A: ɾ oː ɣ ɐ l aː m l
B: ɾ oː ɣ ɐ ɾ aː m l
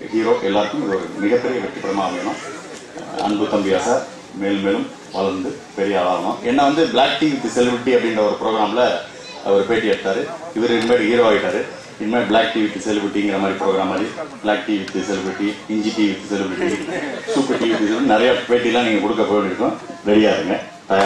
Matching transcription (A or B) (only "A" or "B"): B